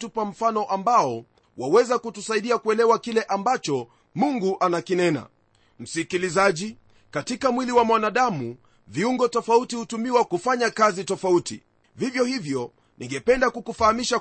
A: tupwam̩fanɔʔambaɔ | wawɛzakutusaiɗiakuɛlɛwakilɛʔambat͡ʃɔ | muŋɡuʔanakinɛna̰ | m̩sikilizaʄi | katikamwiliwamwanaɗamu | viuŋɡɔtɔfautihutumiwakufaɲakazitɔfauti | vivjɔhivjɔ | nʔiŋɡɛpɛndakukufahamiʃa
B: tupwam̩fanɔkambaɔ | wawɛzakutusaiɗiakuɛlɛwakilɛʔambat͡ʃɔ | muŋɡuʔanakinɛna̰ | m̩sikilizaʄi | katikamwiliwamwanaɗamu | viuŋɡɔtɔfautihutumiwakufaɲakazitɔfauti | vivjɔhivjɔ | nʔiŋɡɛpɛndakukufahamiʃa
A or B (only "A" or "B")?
A